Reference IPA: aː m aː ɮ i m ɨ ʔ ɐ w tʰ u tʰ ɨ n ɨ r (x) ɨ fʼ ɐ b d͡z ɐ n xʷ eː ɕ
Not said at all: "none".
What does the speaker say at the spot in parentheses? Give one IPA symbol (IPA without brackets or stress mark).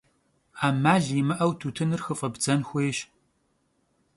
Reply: x